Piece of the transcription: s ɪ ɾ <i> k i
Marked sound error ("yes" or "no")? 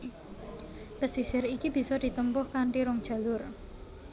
no